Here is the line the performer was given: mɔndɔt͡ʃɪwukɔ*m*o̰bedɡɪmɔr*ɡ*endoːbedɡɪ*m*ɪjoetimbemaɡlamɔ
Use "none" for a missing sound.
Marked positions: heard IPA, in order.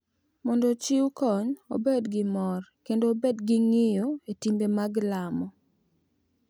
ɲ, k, ŋ

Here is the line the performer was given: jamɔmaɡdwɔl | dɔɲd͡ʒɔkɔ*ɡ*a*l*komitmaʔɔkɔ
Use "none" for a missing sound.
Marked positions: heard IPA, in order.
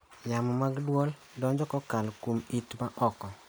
k, l

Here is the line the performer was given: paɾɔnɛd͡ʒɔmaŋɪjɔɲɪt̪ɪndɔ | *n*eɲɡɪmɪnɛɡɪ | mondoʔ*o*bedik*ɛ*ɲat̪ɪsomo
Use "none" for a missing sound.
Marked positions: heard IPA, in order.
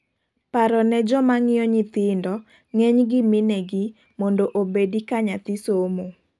ŋ, o, a

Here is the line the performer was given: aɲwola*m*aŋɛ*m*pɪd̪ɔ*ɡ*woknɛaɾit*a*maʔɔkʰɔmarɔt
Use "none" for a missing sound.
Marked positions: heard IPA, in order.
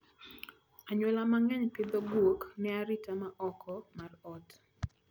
m, ɲ, ɡ, a

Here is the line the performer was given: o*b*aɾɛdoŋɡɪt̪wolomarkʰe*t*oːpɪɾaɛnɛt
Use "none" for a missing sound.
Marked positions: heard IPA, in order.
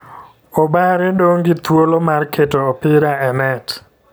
b, t

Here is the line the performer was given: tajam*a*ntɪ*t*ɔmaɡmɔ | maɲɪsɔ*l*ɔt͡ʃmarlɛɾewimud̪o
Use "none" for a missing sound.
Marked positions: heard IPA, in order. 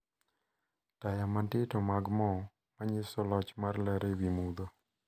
a, t, l

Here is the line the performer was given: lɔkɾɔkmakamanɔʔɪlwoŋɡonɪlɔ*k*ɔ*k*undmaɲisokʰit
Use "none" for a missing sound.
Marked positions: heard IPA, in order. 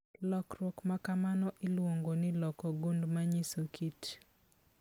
k, ɡ

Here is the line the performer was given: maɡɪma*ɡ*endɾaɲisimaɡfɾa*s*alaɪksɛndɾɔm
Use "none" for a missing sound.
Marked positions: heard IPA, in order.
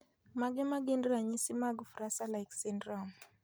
ɡ, s

